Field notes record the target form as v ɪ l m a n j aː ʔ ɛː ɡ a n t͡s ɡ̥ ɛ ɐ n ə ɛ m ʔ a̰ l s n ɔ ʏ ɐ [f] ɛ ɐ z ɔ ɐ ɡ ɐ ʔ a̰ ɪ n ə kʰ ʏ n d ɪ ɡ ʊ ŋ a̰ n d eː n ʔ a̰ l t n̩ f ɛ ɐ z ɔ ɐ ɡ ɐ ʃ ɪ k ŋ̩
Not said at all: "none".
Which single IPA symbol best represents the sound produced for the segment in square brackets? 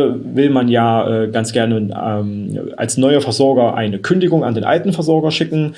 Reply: f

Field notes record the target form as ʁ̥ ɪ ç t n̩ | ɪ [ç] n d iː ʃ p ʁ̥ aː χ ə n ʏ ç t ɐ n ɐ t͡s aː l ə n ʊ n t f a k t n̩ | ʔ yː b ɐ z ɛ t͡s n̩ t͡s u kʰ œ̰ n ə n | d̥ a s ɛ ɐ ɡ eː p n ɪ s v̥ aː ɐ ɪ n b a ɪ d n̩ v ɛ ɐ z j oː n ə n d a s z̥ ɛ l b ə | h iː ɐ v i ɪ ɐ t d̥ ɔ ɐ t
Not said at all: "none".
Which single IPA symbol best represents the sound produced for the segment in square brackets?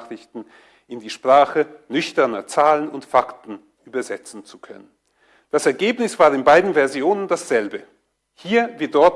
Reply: none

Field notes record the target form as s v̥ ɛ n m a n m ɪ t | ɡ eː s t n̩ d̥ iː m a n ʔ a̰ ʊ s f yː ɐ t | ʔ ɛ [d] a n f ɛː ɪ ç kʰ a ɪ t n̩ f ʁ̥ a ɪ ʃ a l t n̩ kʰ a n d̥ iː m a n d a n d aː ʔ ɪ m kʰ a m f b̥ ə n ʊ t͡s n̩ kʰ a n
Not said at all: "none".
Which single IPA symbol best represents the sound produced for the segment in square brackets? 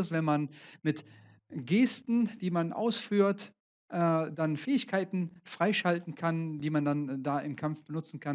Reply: d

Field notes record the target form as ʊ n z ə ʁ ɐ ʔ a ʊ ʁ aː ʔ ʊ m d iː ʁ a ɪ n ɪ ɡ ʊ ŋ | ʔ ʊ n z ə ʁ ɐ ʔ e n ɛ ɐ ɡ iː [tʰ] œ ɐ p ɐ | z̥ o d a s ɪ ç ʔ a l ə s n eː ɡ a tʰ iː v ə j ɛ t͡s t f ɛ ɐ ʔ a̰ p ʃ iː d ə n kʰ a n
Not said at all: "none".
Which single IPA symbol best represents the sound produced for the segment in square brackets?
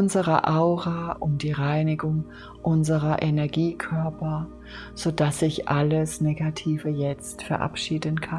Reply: kʰ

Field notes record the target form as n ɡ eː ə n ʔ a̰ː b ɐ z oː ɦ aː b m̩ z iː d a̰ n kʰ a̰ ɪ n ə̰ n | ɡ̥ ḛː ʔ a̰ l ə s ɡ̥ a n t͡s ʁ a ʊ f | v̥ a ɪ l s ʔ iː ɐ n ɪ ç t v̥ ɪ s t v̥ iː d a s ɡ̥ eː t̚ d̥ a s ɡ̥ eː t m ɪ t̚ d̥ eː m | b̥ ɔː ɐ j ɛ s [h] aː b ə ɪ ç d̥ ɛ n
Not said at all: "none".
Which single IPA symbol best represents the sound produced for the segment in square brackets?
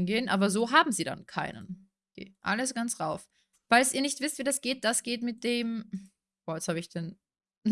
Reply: h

